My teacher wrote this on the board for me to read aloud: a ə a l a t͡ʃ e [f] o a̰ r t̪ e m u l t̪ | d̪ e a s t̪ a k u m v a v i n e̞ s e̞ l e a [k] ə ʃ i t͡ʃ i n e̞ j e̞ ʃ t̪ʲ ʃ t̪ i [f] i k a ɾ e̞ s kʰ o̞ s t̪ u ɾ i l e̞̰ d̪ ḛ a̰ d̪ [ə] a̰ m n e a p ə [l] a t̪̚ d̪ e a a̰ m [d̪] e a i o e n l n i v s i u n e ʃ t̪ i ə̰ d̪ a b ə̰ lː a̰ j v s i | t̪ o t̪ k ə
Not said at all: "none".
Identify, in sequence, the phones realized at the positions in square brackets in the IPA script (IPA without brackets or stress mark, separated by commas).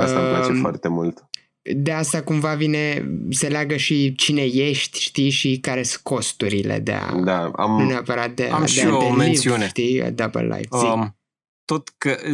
f, ɡ, ʃ, a, ɾ, d̪